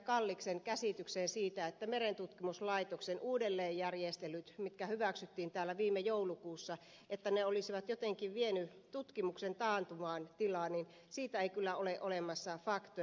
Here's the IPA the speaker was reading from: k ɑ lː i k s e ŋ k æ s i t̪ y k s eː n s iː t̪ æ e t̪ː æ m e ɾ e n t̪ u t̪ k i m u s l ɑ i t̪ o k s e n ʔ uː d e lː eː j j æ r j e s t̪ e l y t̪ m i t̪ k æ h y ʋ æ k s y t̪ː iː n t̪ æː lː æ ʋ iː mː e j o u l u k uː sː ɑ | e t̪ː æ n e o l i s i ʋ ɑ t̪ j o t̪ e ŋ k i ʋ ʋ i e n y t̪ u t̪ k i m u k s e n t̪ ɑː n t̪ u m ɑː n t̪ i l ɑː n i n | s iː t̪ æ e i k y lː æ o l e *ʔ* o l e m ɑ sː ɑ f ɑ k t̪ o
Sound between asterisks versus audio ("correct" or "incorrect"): correct